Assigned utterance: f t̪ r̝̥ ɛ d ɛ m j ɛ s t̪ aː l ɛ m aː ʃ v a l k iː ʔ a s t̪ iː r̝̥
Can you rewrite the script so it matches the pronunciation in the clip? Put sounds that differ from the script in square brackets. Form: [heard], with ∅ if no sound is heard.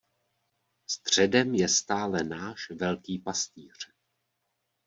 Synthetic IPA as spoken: [s] t̪ r̝̥ ɛ d ɛ m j ɛ s t̪ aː l ɛ [n] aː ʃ v [ɛ] l k iː [p] a s t̪ iː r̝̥